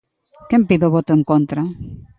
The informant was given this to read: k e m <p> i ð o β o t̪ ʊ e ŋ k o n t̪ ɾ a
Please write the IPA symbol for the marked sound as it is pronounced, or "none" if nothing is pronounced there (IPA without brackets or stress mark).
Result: p